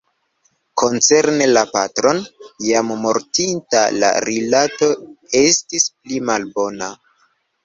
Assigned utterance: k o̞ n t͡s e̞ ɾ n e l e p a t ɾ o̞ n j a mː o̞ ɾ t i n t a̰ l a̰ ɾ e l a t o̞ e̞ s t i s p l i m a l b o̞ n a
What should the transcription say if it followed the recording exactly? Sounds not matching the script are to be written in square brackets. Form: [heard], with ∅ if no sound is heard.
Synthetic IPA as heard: k o̞ n t͡s e̞ ɾ n e l [a] p a t ɾ o̞ n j a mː o̞ ɾ t i n t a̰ l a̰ ɾ [i] l a t o̞ e̞ s t i s p l i m a l b o̞ n a